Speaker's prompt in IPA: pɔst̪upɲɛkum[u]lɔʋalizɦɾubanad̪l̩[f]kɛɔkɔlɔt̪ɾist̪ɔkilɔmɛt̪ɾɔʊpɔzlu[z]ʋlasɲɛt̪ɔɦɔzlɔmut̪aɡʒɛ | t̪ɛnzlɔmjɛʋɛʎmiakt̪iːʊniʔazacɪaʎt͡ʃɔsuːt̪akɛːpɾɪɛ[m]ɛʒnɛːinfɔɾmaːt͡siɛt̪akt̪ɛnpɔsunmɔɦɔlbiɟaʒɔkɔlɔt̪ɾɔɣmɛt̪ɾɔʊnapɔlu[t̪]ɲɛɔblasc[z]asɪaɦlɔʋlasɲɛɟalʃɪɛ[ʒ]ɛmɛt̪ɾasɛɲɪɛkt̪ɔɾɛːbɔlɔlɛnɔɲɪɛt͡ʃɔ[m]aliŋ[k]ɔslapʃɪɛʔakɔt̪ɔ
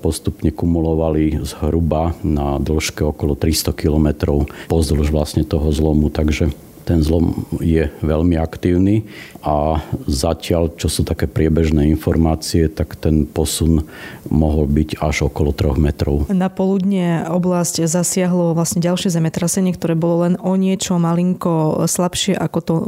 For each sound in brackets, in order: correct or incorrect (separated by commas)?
correct, incorrect, incorrect, incorrect, incorrect, correct, incorrect, correct, correct